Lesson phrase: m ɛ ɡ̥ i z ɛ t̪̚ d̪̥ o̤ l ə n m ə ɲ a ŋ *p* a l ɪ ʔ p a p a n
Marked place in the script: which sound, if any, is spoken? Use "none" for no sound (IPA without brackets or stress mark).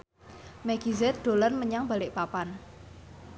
b